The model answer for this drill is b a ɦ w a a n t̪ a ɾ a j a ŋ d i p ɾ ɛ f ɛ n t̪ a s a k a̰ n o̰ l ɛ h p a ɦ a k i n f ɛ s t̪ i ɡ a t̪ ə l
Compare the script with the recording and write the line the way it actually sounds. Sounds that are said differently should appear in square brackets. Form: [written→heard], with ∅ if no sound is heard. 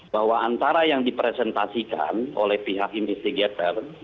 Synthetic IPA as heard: b a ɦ w a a n t̪ a ɾ a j a ŋ d i p ɾ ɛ [f→s] ɛ n t̪ a s [a→i] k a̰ n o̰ l ɛ h p [a→i] ɦ a k i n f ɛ s t̪ i ɡ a t̪ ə [l→r]